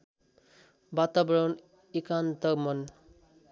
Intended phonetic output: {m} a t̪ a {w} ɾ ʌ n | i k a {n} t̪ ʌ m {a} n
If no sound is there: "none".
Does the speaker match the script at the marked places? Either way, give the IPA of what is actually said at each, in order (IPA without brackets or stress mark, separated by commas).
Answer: b, b, n, ʌ